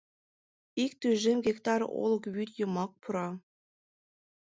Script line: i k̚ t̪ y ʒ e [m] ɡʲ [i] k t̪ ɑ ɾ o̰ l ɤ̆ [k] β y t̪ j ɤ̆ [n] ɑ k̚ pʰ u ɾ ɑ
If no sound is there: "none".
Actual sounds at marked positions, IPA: m, e, k, m

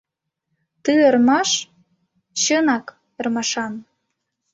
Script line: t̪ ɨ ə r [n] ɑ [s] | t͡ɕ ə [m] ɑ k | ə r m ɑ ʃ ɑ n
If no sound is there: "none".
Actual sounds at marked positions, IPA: m, ʃ, n

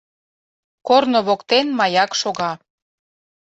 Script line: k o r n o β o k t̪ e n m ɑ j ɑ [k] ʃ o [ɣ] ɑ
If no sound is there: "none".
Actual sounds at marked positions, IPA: k, ɣ

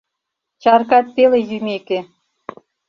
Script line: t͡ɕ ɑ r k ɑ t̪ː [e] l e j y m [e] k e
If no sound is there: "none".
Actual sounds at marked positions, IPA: e, e

